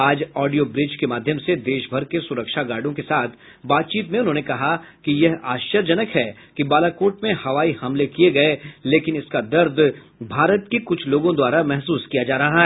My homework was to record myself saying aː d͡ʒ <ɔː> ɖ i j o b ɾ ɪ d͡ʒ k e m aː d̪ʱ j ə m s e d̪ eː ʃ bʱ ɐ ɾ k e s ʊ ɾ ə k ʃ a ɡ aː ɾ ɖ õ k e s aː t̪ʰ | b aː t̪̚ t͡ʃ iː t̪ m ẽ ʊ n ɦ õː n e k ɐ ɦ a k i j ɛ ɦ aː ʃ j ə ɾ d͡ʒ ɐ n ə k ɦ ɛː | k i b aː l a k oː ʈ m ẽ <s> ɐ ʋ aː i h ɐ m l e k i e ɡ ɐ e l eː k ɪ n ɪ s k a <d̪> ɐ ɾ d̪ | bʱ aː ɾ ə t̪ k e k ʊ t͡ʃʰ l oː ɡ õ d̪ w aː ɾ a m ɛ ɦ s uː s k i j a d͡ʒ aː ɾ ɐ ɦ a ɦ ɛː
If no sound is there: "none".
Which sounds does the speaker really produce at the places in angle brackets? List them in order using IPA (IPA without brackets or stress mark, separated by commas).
ɔː, h, d̪